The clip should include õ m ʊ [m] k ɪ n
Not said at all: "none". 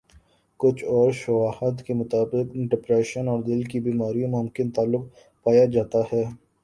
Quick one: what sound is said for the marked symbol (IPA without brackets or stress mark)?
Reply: m